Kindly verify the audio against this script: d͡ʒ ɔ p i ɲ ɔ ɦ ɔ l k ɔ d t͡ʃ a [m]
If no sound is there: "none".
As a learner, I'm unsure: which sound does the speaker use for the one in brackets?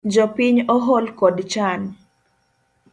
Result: n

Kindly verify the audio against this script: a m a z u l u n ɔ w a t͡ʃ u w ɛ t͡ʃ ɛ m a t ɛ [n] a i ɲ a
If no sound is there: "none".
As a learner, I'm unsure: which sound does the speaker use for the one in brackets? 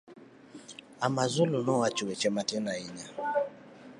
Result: n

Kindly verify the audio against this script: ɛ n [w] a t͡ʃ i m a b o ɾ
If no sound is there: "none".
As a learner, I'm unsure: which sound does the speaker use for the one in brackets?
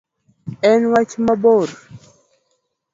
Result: w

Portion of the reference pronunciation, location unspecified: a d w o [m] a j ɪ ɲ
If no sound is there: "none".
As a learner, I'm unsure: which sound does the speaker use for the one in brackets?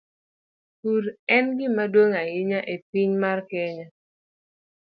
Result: ŋ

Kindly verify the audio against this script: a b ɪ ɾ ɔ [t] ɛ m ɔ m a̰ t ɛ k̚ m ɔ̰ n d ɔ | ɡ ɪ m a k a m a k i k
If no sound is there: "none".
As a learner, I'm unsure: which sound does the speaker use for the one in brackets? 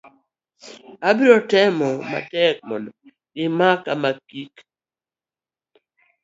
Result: t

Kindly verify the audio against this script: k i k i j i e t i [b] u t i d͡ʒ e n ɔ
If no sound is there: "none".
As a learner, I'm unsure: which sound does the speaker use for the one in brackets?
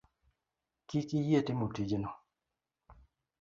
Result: m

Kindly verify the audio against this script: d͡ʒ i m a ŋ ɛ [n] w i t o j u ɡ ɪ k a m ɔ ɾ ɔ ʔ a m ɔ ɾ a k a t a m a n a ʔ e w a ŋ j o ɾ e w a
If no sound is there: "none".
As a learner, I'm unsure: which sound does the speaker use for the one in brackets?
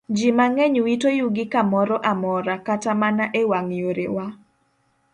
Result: ɲ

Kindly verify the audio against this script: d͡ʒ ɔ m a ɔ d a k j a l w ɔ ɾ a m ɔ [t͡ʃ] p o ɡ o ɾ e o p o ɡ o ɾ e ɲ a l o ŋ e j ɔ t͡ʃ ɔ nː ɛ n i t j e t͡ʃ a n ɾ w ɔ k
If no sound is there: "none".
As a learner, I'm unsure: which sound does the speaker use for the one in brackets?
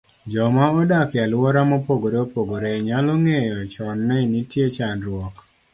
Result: none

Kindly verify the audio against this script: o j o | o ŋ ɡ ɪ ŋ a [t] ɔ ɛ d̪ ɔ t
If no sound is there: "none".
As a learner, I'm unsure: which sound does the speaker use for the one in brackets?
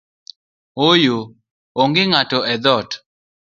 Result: t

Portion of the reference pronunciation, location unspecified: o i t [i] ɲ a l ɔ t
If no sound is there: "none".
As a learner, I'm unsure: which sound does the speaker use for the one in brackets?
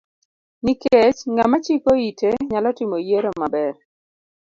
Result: e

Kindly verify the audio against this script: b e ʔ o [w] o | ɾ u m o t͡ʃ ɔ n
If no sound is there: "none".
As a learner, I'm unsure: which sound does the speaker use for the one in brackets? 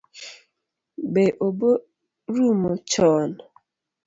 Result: b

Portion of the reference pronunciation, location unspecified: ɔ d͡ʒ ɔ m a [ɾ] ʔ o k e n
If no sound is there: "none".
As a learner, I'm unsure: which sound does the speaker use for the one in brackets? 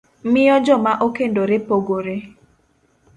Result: none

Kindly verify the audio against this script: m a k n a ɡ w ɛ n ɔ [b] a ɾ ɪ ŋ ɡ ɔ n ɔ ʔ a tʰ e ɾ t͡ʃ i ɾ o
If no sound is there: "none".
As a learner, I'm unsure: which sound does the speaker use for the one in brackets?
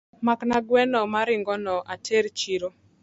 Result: m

